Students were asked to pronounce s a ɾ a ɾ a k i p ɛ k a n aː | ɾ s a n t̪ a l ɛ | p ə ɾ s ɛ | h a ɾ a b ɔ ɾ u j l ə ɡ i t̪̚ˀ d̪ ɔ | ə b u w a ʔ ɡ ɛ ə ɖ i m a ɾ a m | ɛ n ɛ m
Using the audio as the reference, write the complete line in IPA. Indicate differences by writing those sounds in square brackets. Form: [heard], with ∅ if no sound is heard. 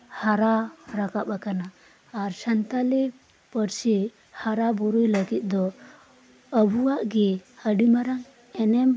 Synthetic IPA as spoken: [h] a ɾ a ɾ a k [a] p [a] k a n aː | ɾ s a n t̪ a l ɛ | p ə ɾ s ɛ | h a ɾ a b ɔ ɾ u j l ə ɡ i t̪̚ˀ d̪ ɔ | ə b u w a ʔ ɡ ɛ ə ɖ i m a ɾ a [ŋ] | ɛ n ɛ m